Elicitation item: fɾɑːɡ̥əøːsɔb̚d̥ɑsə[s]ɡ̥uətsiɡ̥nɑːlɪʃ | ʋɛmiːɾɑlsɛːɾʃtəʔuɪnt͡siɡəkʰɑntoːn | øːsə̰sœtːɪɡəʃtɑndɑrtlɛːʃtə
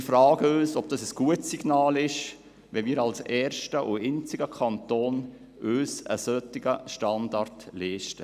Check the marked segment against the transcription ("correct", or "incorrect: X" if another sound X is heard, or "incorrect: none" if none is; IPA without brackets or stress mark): correct